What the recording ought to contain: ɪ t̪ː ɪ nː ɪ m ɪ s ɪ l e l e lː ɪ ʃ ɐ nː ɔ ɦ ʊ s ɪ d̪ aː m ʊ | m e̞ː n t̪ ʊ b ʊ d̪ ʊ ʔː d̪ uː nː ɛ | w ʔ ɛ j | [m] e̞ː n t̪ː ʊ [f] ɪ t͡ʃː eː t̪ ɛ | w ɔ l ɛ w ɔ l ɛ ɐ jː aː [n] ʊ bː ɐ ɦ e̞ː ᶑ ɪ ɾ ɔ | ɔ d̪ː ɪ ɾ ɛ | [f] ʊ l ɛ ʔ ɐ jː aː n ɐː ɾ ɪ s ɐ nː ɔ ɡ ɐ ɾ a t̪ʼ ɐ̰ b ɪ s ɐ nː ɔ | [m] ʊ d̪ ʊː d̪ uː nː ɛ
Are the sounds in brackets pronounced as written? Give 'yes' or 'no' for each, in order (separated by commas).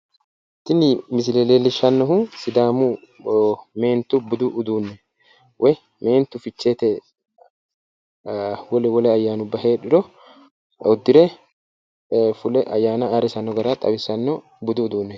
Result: yes, yes, yes, yes, no